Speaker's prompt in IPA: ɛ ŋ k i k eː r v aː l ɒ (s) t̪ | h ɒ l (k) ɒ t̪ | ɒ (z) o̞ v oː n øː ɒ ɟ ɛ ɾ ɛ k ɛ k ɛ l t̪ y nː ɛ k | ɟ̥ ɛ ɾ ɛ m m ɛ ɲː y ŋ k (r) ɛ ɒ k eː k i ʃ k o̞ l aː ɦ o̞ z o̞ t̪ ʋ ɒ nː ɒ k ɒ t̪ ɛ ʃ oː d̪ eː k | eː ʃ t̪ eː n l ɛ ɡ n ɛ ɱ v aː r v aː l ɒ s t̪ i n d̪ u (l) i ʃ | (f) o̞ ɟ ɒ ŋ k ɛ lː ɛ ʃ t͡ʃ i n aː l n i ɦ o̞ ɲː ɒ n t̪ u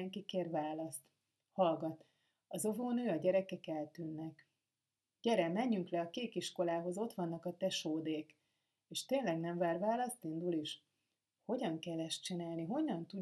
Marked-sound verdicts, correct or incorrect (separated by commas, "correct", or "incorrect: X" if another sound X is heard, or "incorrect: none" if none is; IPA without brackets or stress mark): correct, incorrect: ɡ, correct, incorrect: l, correct, incorrect: h